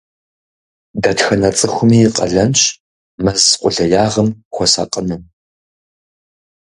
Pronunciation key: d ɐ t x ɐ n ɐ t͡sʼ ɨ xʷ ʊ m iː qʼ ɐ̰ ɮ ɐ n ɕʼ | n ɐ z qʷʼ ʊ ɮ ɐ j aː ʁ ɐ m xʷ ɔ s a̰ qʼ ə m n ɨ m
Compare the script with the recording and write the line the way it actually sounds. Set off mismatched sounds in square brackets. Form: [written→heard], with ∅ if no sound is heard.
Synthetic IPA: d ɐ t x ɐ n ɐ t͡sʼ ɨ xʷ ʊ m iː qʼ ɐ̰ ɮ ɐ n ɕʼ | [n→m] ɐ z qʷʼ ʊ ɮ ɐ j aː ʁ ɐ m xʷ ɔ s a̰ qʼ ə [m→∅] n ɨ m